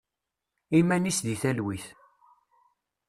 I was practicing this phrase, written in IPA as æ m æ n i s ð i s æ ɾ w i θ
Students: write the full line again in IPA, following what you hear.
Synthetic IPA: i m æ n i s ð i θ æ l w i θ